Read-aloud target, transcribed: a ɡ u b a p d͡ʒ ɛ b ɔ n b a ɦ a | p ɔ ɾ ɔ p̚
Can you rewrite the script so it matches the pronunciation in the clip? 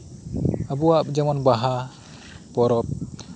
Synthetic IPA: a b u a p d͡ʒ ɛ m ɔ n b a ɦ a | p ɔ ɾ ɔ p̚